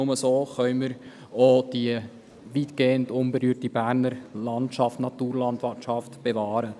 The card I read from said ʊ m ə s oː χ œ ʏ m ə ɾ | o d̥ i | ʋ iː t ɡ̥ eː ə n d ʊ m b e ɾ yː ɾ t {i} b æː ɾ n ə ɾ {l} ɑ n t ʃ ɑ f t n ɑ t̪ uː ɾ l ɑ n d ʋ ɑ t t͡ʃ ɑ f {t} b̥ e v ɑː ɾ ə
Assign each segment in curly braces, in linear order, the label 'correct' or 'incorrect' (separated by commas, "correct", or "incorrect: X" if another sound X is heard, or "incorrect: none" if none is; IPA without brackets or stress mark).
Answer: correct, correct, correct